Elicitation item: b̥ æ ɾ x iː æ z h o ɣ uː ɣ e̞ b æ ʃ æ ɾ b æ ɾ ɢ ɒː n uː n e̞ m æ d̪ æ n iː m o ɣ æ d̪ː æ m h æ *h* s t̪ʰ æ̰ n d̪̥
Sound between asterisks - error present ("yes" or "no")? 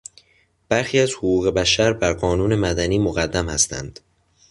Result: yes